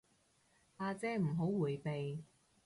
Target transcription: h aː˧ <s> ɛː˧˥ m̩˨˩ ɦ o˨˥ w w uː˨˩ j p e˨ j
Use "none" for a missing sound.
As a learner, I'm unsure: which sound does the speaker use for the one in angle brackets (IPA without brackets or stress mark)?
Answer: t͡s